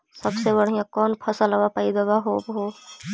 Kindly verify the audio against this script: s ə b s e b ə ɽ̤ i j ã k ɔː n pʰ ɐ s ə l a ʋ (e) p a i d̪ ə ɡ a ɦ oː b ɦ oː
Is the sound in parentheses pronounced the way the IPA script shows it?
no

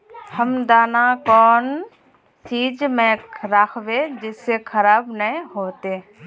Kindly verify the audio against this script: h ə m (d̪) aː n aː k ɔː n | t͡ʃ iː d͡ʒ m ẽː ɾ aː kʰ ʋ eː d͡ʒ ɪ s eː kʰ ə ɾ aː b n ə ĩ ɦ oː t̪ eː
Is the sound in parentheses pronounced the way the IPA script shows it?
yes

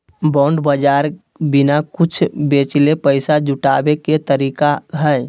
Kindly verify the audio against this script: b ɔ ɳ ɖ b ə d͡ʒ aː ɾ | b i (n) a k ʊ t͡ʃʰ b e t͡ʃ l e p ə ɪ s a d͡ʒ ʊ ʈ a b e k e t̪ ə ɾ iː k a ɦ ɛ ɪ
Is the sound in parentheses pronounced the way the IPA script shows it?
yes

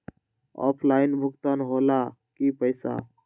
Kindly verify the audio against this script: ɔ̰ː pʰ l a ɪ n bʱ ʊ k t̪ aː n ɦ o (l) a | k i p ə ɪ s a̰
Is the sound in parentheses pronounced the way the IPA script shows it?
yes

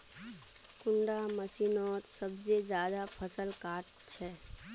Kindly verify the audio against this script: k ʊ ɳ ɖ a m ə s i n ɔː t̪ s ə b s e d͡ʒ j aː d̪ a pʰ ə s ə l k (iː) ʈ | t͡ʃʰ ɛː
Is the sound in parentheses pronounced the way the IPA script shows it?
no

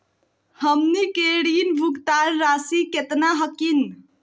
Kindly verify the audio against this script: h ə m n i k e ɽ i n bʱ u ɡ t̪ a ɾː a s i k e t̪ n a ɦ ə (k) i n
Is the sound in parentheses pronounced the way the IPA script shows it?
yes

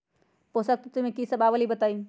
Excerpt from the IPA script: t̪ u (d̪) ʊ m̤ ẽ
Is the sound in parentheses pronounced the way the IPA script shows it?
no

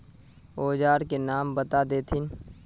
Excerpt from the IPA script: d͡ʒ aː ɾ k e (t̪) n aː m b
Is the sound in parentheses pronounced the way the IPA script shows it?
no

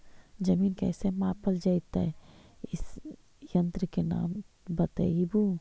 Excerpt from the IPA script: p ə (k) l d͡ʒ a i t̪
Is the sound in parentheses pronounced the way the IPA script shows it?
no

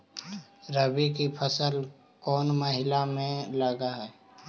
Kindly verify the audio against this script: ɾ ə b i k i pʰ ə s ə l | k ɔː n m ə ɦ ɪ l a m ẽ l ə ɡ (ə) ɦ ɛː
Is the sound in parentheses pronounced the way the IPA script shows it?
no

